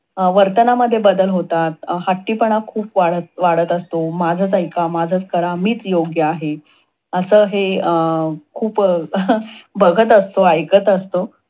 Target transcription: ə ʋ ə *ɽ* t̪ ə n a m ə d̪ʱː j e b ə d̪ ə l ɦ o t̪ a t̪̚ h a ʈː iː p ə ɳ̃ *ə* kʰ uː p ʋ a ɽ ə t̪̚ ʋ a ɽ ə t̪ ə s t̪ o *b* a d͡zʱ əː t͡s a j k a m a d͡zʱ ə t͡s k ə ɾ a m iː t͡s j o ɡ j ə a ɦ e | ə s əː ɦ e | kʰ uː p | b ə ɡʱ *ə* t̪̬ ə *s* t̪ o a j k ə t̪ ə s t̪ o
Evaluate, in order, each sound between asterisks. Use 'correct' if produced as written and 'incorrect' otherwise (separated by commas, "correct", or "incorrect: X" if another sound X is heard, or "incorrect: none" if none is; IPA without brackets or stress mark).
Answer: incorrect: ɾ, incorrect: a, incorrect: m, correct, correct